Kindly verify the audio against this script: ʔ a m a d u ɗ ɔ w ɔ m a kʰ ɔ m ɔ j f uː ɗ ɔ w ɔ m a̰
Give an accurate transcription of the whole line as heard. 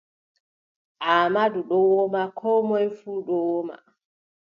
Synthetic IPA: ʔ a m a d u ɗ ɔ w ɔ m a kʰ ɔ m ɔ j f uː ɗ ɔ w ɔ m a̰